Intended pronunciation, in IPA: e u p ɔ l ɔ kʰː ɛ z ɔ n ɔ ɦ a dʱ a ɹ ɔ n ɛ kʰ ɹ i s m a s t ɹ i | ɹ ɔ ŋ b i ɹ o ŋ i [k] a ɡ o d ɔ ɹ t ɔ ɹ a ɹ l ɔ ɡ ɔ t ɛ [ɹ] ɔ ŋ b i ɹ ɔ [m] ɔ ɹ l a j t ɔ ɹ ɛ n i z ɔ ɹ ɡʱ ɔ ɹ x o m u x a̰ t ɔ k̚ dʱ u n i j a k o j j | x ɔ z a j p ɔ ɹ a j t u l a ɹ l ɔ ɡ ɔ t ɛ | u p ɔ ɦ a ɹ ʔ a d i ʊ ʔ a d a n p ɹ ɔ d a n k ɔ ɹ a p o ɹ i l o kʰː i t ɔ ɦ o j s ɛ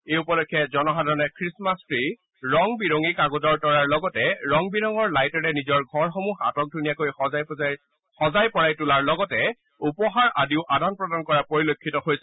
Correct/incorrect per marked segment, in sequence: correct, correct, incorrect

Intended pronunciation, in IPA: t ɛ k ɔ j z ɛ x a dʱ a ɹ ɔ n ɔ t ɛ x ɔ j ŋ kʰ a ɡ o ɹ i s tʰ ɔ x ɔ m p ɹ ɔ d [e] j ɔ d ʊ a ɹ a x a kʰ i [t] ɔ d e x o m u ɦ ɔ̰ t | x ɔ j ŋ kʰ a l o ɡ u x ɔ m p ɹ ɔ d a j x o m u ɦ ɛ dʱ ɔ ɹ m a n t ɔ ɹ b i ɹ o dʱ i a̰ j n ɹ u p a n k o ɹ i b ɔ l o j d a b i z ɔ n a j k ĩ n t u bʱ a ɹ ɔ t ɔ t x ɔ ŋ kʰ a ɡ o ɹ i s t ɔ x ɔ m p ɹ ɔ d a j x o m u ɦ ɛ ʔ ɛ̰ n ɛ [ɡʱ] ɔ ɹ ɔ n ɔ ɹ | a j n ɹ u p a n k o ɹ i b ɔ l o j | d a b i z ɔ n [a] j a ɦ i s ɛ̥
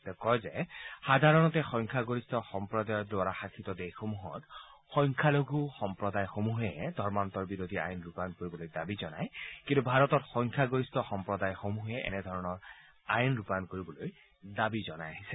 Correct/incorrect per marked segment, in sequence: incorrect, correct, incorrect, correct

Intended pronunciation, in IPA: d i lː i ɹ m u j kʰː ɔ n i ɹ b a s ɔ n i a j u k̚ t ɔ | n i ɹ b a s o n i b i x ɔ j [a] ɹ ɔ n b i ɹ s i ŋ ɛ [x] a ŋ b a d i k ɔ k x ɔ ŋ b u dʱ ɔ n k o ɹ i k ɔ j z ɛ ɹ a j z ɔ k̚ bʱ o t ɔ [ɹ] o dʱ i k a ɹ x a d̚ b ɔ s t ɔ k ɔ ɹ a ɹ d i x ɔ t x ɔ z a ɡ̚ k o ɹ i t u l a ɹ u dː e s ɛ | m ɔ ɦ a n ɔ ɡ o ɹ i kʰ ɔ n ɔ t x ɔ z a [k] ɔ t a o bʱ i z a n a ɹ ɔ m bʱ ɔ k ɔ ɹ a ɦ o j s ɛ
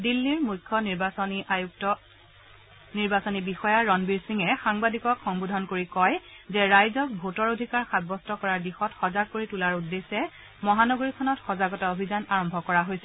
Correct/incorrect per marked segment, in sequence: correct, correct, correct, incorrect

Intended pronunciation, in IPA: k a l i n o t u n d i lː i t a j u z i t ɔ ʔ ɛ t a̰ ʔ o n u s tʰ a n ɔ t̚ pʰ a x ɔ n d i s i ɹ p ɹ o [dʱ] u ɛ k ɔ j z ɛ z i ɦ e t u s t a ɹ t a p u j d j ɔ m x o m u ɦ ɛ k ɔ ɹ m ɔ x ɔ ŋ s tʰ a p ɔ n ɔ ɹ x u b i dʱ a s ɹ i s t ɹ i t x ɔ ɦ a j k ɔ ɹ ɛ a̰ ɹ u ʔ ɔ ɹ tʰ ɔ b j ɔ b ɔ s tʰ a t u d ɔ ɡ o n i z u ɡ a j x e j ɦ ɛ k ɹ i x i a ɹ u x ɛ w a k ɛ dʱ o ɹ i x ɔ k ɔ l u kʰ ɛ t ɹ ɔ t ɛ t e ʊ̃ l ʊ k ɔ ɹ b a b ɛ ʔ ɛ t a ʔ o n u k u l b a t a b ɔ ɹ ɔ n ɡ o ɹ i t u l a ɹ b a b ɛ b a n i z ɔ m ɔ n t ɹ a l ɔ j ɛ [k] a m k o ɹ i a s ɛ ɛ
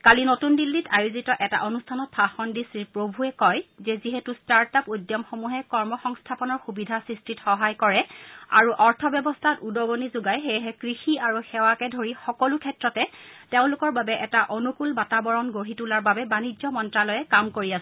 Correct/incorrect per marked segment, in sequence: incorrect, correct

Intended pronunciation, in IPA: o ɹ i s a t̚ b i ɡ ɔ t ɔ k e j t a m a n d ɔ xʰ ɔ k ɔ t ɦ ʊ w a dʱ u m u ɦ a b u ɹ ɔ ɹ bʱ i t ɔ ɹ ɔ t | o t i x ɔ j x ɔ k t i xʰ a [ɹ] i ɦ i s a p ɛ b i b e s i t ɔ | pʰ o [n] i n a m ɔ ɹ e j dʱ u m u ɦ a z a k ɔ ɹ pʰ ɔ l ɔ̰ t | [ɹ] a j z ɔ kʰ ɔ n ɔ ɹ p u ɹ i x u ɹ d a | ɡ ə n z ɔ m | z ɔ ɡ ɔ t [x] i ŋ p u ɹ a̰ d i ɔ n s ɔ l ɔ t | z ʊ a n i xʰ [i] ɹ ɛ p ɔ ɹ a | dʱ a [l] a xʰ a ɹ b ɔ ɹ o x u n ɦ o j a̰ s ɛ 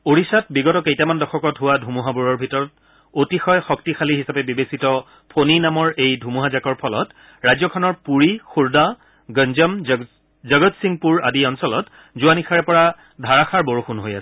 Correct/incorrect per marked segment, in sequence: incorrect, correct, correct, incorrect, incorrect, incorrect

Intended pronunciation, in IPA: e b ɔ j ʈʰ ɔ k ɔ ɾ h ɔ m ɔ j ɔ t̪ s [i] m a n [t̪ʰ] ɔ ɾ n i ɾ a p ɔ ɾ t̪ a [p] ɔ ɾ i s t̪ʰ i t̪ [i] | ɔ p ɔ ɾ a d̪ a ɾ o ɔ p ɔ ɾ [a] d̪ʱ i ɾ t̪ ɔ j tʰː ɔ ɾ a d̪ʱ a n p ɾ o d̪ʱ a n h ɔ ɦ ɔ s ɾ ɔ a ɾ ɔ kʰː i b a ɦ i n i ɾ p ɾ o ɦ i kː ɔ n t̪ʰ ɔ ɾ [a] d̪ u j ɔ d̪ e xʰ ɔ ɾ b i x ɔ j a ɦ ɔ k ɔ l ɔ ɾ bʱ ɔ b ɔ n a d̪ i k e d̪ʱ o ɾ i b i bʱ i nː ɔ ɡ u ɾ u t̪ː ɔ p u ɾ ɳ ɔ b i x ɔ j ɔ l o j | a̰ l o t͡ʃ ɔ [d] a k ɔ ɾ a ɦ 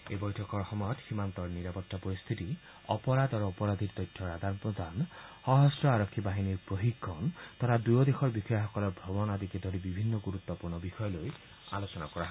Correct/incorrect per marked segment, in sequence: correct, incorrect, correct, correct, correct, correct, incorrect

